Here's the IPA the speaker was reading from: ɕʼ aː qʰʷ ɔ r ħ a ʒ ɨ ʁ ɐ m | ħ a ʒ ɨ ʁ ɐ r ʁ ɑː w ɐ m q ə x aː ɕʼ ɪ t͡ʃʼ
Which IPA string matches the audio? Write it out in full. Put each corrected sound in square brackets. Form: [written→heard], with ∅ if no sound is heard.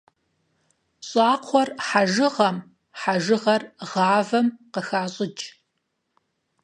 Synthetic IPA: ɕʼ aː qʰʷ ɔ r ħ a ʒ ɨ ʁ ɐ m | ħ a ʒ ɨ ʁ ɐ r ʁ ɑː [w→v] ɐ m q ə x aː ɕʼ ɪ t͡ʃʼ